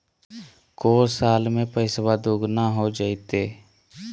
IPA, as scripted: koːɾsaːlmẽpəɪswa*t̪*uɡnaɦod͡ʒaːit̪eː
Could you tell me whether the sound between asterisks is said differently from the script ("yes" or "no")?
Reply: yes